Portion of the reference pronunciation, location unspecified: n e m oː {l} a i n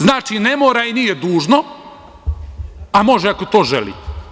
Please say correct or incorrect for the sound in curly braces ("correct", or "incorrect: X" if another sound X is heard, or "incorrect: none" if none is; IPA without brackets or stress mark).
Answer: incorrect: ɾ